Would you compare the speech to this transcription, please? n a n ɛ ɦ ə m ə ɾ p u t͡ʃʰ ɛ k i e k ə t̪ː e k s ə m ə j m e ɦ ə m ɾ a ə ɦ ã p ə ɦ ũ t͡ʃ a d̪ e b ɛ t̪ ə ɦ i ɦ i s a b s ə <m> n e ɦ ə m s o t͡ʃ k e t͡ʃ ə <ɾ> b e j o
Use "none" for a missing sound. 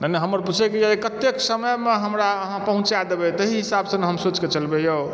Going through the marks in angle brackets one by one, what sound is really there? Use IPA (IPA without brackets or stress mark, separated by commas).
none, l